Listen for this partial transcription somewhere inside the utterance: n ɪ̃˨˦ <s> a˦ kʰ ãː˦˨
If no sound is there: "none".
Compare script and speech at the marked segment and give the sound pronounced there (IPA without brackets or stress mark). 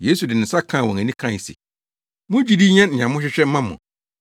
s